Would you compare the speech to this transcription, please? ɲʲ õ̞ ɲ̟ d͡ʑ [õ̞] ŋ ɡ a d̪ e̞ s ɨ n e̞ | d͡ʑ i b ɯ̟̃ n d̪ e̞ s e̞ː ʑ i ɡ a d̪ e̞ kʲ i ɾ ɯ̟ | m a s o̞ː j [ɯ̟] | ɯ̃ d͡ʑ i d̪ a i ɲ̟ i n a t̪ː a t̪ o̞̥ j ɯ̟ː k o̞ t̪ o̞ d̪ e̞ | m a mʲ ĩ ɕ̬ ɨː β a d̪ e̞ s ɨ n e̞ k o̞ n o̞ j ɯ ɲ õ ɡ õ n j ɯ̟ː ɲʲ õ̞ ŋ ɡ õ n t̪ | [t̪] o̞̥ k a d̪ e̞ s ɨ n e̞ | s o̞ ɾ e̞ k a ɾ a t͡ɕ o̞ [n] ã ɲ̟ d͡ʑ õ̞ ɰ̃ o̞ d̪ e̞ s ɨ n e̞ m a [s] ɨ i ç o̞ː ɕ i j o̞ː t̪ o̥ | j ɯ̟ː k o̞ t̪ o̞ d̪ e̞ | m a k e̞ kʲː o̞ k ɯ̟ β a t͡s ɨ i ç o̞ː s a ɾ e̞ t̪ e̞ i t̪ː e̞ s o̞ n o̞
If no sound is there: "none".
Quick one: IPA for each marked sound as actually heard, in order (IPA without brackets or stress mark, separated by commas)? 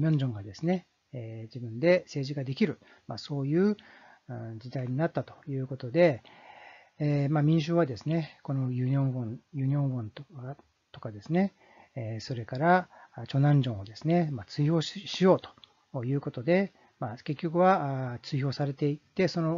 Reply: õ̞, ɯ̟ː, t̪, n, t͡s